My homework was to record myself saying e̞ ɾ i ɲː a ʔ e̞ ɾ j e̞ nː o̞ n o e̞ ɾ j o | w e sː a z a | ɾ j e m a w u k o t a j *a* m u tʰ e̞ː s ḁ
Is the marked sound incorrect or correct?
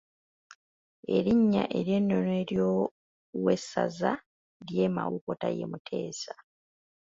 incorrect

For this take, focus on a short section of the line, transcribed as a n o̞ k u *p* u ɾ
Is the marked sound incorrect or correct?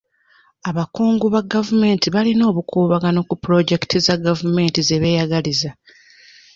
correct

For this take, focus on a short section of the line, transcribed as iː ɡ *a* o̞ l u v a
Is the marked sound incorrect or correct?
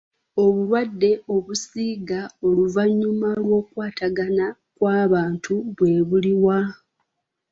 correct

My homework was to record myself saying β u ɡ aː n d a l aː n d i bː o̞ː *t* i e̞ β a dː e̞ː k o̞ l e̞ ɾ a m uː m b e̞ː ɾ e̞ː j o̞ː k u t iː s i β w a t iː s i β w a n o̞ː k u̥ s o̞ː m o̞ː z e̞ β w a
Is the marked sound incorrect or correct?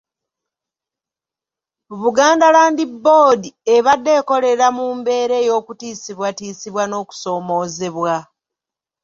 incorrect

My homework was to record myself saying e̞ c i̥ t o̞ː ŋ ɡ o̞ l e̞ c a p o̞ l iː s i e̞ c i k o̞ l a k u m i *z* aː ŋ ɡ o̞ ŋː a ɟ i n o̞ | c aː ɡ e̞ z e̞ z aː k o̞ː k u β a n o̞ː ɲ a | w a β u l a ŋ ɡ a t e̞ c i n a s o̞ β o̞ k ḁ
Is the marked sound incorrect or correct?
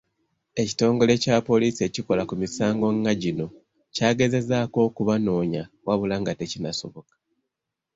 incorrect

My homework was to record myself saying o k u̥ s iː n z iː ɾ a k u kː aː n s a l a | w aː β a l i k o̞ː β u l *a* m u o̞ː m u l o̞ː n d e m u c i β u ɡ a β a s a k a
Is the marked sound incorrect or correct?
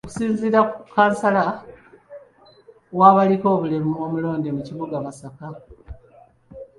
incorrect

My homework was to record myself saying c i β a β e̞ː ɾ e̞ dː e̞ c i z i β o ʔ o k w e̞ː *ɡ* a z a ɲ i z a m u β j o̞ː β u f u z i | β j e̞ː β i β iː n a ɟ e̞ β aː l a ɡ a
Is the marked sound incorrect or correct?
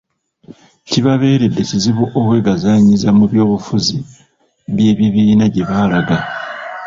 correct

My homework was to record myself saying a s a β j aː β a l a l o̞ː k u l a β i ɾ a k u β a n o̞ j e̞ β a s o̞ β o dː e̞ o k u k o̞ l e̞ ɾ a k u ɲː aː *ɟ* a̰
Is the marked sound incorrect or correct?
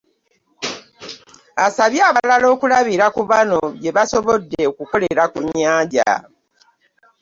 correct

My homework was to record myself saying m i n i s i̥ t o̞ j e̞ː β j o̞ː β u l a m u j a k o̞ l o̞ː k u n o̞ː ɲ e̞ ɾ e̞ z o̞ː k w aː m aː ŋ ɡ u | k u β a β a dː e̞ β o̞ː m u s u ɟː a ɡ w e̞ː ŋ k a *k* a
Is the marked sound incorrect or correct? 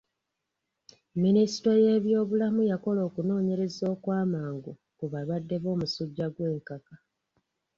correct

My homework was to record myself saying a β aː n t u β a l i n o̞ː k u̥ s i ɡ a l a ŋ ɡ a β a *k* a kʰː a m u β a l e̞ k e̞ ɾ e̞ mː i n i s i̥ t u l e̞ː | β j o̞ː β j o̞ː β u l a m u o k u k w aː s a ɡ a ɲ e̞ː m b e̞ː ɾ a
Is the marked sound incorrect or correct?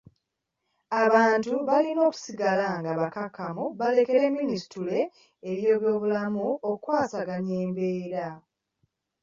correct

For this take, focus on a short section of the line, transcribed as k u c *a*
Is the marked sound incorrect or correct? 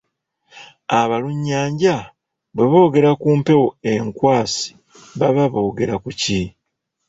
incorrect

